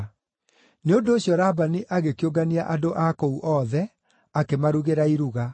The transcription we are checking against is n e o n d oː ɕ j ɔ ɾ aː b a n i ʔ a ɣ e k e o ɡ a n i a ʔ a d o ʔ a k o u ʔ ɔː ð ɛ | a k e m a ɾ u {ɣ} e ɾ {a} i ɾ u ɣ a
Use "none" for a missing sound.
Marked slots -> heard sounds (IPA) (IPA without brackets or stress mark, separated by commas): ɣ, a